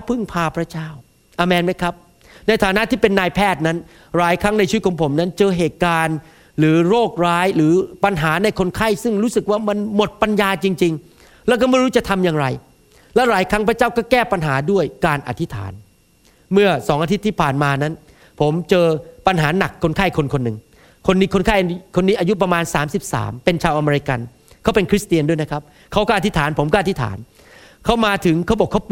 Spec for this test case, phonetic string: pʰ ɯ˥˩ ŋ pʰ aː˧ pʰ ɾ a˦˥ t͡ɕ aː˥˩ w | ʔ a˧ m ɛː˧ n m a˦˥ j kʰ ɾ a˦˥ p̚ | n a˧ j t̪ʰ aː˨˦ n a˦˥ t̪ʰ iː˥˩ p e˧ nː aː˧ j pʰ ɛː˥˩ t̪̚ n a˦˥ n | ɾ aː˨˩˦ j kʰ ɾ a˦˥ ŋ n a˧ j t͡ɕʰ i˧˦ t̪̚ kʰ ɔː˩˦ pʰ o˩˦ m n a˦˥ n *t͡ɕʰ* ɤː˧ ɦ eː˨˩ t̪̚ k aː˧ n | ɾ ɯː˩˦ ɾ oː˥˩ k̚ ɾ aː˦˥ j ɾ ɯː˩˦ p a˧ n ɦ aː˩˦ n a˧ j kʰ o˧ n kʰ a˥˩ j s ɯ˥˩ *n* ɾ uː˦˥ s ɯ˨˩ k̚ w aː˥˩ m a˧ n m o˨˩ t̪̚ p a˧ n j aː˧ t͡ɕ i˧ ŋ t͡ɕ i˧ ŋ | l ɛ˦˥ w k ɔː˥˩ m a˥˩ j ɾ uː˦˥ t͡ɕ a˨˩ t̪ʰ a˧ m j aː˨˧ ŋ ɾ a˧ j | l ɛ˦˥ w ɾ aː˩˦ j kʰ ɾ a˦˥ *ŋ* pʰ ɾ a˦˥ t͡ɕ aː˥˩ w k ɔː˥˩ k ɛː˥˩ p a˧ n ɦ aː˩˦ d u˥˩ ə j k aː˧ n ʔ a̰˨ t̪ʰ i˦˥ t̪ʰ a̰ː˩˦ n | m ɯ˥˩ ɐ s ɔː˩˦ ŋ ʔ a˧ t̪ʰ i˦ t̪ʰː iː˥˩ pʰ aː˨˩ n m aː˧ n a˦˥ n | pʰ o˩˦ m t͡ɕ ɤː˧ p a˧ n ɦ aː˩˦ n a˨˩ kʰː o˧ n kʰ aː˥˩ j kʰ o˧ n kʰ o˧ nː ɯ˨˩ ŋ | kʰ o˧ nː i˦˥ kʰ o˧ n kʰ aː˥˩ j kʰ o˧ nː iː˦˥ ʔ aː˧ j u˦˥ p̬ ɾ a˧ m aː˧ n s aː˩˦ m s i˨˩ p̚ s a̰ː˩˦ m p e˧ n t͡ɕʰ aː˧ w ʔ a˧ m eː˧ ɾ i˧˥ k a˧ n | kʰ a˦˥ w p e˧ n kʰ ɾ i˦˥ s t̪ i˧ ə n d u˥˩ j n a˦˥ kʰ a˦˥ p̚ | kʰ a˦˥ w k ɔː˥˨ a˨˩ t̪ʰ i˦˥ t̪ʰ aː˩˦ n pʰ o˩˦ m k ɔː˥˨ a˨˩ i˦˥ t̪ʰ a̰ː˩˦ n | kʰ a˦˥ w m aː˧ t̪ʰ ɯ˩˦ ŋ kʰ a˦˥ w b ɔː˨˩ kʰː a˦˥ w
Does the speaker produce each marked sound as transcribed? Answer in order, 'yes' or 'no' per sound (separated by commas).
no, no, yes